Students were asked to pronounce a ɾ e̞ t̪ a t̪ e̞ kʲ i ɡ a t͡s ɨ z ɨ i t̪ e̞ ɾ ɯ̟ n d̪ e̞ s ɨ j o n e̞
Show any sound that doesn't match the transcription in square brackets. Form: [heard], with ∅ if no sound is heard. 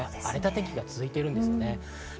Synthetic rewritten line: a ɾ e̞ t̪ a t̪ e̞ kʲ i ɡ a t͡s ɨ z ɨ i t̪ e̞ ɾ ɯ̟ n d̪ e̞ s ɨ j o n e̞

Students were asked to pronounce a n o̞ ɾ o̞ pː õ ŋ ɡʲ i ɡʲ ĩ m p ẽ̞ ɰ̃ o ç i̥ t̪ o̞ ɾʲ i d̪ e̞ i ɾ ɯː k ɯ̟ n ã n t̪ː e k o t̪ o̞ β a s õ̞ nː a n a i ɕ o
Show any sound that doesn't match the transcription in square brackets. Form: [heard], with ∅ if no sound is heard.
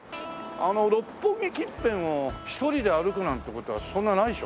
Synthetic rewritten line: a n o̞ ɾ o̞ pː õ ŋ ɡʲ i [kʲ] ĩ m p ẽ̞ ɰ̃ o ç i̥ t̪ o̞ ɾʲ i d̪ e̞ [a] ɾ [ɯ] k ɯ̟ n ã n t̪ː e k o t̪ o̞ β a s õ̞ nː a n a i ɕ o

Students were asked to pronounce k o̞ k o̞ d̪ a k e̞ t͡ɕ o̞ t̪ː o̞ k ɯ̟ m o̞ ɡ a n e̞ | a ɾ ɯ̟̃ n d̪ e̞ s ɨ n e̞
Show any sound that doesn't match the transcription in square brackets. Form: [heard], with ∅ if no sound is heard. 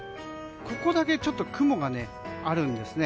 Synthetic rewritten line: k o̞ k o̞ d̪ a k e̞ t͡ɕ o̞ t̪ː o̞ k ɯ̟ m o̞ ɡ a n e̞ | a ɾ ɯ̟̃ n d̪ e̞ s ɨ n e̞

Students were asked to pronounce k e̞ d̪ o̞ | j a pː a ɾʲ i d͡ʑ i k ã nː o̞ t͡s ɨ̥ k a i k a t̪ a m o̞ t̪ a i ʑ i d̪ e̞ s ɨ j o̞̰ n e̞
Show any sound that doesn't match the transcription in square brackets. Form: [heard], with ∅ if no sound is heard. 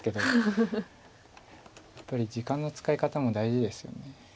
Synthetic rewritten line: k e̞ d̪ o̞ | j a pː a ɾʲ i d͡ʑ i k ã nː o̞ t͡s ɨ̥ k a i k a t̪ a m o̞ [d̪] a i ʑ i d̪ e̞ s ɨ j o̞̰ n e̞

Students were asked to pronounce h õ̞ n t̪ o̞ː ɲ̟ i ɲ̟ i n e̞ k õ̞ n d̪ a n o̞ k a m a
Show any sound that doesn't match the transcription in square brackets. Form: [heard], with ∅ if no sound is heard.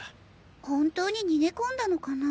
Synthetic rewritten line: h õ̞ n t̪ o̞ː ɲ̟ i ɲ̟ i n e̞ k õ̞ n d̪ a n o̞ k a [n] a

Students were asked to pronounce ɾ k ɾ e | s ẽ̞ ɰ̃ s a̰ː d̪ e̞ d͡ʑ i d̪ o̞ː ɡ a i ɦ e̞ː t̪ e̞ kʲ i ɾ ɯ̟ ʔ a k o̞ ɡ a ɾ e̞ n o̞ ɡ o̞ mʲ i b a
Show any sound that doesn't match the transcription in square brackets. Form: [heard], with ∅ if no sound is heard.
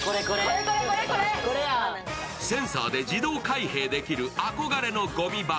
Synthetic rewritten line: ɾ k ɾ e | s ẽ̞ ɰ̃ s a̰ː d̪ e̞ d͡ʑ i d̪ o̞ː [k] a i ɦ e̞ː [d̪] e̞ kʲ i ɾ ɯ̟ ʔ a k o̞ ɡ a ɾ e̞ n o̞ ɡ o̞ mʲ i b a

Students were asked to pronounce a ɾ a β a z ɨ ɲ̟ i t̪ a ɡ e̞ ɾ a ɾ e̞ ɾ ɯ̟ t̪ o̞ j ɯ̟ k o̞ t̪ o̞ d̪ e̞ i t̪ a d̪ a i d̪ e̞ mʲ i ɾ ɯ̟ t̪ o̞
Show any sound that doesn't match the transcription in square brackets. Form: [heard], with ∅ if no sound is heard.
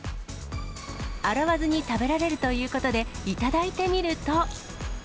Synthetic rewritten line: a ɾ a β a z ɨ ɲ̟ i t̪ a [b] e̞ ɾ a ɾ e̞ ɾ ɯ̟ t̪ o̞ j [ɯ̟ː] k o̞ t̪ o̞ d̪ e̞ i t̪ a d̪ a i [t̪] e̞ mʲ i ɾ ɯ̟ t̪ o̞

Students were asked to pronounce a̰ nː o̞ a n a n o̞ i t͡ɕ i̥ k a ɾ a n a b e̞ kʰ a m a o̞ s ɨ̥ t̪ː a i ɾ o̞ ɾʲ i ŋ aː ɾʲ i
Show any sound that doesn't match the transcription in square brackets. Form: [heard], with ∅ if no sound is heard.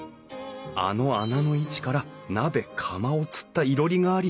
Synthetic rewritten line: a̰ [n] o̞ a n a n o̞ i t͡ɕ i̥ k a ɾ a n a b e̞ kʰ a m a o̞ [t͡s] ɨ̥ t̪ː a i ɾ o̞ ɾʲ i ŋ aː ɾʲ i

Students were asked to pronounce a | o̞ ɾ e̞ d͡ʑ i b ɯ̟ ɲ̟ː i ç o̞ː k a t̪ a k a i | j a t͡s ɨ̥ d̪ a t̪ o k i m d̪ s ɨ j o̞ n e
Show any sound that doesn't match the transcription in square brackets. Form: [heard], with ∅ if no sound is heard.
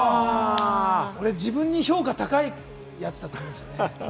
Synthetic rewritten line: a | o̞ ɾ e̞ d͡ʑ i b [ɯ̟̃] ɲ̟ː i ç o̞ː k a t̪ a k a i | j a t͡s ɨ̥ d̪ a t̪ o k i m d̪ s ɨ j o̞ n e

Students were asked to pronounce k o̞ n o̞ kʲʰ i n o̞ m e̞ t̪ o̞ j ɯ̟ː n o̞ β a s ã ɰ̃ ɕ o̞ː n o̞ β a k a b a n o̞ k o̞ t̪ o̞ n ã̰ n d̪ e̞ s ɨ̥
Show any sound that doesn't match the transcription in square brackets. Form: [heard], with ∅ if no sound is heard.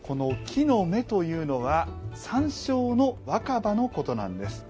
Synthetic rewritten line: k o̞ n o̞ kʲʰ i n o̞ m e̞ t̪ o̞ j ɯ̟ː n o̞ β a s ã ɰ̃ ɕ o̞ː n o̞ β a k a b a n o̞ k o̞ t̪ o̞ n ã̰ n d̪ e̞ s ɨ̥

